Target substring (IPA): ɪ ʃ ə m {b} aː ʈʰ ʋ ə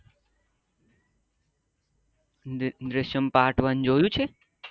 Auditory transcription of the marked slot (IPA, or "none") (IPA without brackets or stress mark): p